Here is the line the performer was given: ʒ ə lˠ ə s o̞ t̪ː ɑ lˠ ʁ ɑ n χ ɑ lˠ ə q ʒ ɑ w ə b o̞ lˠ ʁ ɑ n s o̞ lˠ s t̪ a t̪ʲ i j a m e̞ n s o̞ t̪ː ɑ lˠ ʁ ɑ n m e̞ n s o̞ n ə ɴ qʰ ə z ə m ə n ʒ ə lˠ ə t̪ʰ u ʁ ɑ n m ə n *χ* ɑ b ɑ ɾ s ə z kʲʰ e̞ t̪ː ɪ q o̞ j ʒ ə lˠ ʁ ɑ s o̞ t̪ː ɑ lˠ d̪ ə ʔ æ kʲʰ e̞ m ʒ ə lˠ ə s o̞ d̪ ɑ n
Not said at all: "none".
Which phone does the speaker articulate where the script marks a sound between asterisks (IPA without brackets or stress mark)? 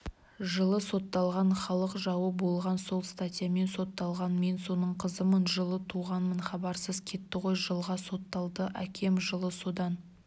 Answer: χ